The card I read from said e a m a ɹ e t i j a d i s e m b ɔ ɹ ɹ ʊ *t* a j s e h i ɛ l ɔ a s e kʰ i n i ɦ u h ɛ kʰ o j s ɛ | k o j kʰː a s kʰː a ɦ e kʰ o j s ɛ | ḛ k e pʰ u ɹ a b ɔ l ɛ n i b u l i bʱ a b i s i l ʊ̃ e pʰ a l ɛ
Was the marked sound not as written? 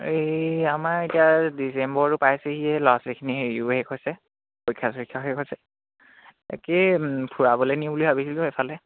yes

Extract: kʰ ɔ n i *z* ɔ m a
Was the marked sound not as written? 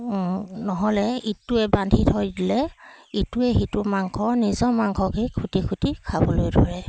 no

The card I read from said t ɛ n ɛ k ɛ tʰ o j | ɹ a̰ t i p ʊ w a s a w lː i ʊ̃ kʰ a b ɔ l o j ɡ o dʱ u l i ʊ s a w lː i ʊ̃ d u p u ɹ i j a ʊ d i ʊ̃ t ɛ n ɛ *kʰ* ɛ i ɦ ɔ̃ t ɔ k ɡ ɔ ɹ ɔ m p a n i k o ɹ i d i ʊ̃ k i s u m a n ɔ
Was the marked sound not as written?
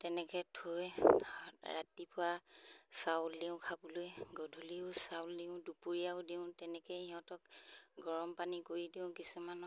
yes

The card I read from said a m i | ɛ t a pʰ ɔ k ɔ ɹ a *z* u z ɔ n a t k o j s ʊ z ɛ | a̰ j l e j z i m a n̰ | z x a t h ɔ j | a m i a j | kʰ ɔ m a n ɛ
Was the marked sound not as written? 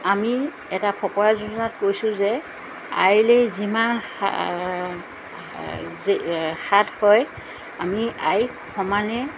no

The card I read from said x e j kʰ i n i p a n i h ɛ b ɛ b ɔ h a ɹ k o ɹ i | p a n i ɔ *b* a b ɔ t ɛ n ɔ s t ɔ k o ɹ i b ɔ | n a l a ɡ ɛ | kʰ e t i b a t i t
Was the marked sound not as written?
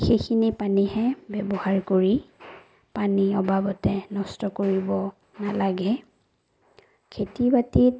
no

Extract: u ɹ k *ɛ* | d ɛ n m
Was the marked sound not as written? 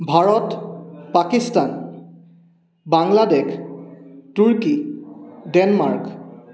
yes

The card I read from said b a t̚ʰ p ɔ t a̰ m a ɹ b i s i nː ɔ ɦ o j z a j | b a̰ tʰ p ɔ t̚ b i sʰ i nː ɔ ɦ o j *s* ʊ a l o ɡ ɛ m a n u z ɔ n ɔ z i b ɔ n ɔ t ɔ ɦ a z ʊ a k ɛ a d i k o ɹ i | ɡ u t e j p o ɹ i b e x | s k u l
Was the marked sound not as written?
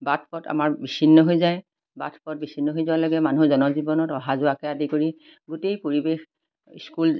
yes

